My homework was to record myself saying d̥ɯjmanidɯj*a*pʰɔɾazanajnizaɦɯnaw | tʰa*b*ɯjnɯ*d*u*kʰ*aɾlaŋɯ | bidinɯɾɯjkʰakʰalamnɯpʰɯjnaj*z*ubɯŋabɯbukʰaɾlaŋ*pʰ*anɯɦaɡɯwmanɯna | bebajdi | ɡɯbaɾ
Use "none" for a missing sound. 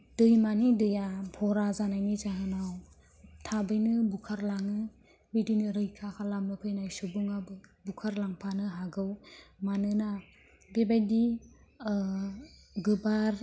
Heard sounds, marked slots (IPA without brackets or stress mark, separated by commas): a, b, b, kʰ, s, pʰ